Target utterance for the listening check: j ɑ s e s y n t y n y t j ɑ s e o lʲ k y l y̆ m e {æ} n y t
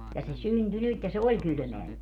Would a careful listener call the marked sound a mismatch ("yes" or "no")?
no